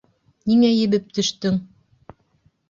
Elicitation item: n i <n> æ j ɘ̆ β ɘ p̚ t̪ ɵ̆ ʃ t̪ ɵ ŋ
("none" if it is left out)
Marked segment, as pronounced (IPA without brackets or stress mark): ŋ